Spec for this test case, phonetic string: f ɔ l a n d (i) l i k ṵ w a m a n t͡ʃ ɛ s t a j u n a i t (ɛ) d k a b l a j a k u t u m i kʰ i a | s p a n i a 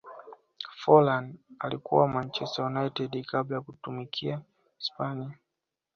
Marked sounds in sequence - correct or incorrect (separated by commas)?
incorrect, correct